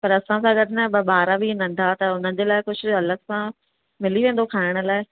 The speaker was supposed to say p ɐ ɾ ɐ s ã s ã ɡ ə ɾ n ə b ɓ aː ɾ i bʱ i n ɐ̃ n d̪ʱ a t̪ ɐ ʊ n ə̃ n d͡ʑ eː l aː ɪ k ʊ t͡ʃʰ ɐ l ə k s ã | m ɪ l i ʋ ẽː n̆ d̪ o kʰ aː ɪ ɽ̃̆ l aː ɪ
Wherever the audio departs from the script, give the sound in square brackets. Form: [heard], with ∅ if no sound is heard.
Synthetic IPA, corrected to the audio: p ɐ ɾ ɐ s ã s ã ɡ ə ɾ n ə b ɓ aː ɾ [a] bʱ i n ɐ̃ n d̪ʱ a t̪ ɐ ʊ n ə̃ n d͡ʑ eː l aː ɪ k ʊ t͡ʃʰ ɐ l ə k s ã | m ɪ l i ʋ ẽː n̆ d̪ o kʰ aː ɪ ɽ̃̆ l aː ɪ